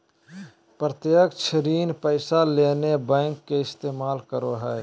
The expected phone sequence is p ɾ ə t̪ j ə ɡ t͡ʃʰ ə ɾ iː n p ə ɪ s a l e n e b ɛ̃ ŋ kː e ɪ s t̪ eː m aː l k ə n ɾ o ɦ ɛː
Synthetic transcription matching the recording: p ɾ ə t̪ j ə k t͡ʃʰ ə ɾ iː n p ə ɪ s a l e n e b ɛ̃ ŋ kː e ɪ s t̪ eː m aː l k ə ɾ o ɦ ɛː